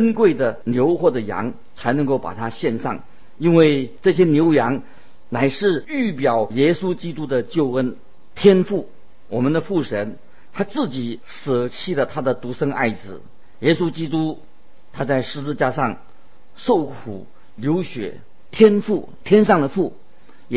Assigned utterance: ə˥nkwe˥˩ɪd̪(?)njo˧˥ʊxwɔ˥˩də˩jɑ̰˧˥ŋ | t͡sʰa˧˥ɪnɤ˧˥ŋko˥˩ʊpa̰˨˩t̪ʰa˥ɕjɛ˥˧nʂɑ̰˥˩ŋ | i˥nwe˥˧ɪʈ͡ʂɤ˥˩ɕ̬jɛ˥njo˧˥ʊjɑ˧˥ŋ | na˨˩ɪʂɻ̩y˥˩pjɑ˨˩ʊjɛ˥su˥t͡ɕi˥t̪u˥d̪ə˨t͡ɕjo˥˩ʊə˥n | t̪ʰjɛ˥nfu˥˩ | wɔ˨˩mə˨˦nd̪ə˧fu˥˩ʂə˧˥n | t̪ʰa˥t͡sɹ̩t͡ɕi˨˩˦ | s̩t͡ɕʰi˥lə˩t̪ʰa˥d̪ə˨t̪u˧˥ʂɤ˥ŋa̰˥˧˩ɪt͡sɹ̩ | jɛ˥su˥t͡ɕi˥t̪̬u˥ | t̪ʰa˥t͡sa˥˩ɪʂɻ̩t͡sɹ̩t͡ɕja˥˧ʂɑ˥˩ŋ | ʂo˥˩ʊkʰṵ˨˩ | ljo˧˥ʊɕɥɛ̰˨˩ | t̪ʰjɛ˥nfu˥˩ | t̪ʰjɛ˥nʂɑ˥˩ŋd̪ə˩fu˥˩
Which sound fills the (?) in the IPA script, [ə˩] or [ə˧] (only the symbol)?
ə˩